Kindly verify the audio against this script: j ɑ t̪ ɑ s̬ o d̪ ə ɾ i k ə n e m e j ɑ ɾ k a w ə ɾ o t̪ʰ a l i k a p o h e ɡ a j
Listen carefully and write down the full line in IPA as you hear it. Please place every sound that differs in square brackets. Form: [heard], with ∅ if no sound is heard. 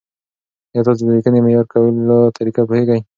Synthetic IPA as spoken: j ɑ t̪ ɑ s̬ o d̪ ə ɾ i k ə n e m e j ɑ ɾ k a w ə [l] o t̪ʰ a [ɾ] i k a p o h e ɡ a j